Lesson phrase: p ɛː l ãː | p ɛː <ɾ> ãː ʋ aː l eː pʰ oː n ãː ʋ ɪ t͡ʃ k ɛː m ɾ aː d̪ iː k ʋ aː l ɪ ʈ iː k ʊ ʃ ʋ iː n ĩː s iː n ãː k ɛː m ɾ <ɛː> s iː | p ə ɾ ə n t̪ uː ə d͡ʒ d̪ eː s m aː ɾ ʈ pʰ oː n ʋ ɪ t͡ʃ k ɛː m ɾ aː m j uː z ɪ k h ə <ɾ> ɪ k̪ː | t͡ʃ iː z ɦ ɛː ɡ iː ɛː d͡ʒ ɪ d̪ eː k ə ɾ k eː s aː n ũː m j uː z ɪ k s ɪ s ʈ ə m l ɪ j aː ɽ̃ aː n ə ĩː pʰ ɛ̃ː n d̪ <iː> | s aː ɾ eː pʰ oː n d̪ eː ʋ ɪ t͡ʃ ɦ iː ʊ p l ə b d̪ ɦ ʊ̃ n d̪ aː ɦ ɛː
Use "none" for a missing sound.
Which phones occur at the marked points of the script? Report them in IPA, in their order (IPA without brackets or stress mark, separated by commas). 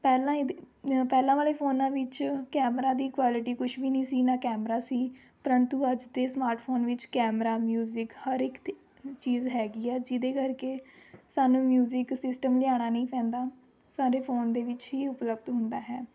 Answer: l, aː, ɾ, aː